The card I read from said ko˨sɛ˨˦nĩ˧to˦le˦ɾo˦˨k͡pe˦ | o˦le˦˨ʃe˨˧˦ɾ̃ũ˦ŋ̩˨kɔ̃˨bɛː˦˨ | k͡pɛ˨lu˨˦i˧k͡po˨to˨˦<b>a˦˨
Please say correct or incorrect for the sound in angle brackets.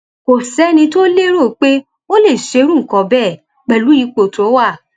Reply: incorrect: w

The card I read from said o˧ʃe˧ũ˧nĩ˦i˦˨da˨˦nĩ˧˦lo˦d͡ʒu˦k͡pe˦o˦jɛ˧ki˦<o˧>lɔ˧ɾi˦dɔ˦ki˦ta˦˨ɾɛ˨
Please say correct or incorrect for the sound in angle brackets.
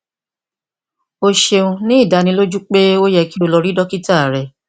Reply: correct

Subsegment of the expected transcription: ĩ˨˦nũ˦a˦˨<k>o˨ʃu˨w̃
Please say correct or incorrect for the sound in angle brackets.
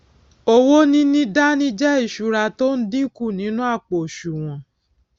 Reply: incorrect: k͡p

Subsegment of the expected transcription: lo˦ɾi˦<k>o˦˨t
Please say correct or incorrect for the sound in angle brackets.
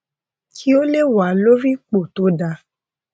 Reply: incorrect: k͡p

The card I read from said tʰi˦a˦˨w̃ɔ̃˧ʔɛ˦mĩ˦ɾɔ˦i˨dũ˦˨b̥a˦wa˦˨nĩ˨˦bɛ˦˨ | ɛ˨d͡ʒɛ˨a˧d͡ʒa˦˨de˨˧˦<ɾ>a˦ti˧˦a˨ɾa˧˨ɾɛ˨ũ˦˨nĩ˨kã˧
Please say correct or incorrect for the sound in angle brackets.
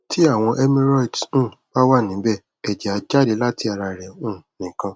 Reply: incorrect: l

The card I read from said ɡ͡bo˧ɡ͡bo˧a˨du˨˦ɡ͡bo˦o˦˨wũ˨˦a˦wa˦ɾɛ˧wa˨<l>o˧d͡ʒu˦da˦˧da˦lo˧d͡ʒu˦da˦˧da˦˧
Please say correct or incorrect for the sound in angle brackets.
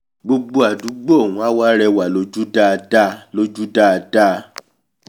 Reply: correct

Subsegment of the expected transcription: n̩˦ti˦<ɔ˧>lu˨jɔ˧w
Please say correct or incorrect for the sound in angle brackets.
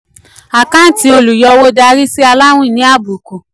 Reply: incorrect: o˧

